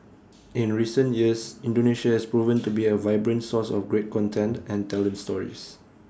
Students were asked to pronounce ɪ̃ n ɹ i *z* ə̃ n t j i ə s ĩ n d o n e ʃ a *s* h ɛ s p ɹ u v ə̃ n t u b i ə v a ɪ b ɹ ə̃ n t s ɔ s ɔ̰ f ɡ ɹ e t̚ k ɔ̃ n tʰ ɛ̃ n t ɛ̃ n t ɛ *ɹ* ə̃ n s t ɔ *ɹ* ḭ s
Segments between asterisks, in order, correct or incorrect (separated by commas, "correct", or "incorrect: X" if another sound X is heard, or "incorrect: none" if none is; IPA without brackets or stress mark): incorrect: s, incorrect: none, incorrect: l, correct